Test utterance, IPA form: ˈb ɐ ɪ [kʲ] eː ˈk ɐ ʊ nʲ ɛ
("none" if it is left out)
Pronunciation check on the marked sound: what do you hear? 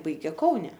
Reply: ɡʲ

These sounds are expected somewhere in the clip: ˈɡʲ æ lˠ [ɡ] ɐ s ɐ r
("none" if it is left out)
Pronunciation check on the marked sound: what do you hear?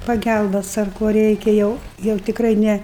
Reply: b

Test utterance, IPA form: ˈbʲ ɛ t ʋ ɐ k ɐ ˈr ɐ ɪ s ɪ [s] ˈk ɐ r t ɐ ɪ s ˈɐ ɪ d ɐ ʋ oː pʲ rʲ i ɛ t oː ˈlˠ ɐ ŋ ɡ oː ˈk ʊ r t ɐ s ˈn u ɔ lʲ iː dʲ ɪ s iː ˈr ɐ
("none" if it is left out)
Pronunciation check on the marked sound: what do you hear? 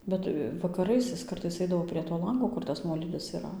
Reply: s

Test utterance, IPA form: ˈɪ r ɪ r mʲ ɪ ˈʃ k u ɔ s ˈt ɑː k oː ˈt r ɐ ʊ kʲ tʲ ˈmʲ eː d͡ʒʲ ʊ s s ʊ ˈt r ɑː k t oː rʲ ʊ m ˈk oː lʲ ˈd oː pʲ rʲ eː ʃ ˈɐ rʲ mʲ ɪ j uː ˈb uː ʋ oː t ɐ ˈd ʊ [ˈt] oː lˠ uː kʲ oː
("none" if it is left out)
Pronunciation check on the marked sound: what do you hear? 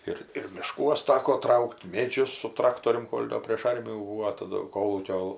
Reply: k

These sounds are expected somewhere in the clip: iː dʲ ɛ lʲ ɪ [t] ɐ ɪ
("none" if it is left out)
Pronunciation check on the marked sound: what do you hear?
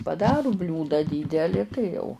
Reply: t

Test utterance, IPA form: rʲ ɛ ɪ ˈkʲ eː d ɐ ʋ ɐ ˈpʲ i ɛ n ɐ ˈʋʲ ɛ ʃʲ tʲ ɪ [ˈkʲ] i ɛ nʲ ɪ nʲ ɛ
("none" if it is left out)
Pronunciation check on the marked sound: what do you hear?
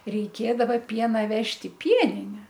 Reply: pʲ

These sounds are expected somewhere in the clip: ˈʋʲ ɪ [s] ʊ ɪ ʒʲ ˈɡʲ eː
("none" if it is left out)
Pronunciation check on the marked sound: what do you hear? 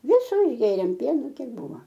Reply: s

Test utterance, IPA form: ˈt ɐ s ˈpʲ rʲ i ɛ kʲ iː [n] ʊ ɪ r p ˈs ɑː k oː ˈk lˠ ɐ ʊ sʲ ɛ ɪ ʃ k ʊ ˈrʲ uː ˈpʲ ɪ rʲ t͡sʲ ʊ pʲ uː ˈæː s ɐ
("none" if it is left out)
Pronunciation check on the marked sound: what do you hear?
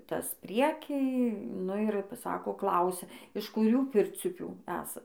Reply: n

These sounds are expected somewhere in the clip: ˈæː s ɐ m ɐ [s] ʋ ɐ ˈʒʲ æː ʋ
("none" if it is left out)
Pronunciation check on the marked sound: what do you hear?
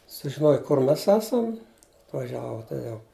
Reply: t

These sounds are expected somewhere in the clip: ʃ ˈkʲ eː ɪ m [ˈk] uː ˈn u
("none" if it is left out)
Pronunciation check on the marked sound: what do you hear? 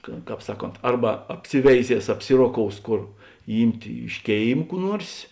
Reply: k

